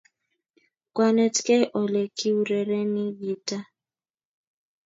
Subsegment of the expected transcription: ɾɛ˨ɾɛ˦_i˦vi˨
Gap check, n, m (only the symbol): n